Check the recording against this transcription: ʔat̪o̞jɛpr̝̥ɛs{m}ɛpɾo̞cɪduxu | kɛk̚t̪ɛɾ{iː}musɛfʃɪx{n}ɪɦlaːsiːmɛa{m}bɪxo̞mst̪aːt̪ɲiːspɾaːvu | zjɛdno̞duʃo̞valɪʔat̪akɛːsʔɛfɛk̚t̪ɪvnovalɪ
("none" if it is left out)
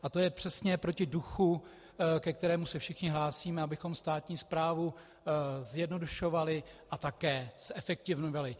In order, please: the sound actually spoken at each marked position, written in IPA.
ɲ, ɛː, ɲ, none

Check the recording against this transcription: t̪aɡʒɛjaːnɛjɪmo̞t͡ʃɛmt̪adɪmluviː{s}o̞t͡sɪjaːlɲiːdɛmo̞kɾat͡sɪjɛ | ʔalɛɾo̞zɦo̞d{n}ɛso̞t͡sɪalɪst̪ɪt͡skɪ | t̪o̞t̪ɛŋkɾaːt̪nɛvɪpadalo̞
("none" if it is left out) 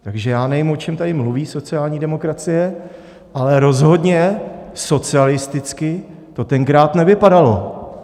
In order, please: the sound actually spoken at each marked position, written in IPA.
s, ɲ

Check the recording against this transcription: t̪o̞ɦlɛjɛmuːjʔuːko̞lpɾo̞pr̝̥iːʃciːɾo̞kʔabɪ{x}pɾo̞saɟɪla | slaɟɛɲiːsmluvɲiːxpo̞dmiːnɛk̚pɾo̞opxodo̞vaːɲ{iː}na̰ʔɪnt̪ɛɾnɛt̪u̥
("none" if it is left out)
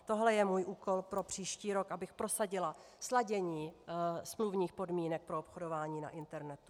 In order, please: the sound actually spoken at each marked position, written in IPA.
x, iː

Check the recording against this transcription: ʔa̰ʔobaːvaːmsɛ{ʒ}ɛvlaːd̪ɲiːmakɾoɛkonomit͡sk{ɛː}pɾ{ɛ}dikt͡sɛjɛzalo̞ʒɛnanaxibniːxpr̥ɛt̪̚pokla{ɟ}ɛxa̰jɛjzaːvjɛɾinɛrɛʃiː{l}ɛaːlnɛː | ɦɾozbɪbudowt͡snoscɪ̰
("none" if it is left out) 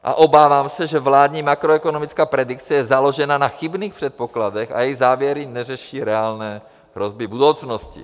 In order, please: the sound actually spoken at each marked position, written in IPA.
ʒ, aː, ɛ, d, ɾ

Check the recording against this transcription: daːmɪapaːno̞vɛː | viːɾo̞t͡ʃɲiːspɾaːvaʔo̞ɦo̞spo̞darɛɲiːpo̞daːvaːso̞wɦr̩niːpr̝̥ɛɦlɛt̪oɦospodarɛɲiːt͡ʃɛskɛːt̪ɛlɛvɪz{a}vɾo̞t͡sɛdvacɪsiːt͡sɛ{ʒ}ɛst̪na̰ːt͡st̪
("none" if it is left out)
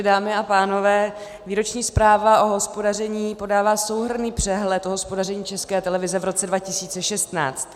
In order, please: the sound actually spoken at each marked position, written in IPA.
ɛ, ʃ

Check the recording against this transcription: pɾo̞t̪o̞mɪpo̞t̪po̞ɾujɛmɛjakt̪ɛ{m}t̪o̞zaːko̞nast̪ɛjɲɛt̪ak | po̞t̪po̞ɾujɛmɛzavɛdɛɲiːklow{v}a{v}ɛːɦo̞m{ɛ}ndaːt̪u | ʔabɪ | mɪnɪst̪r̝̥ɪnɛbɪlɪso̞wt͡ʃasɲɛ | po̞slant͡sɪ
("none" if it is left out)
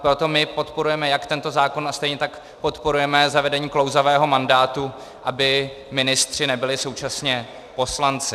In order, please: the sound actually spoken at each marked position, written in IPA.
n, z, v, a

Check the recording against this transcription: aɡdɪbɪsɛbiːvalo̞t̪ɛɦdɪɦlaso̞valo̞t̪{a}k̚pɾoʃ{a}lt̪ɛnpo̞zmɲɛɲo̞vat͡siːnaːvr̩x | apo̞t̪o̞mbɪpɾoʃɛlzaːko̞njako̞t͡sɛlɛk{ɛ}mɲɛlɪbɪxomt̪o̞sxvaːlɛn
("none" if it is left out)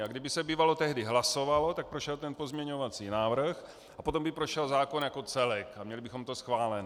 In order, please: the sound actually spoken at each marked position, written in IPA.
a, ɛ, a

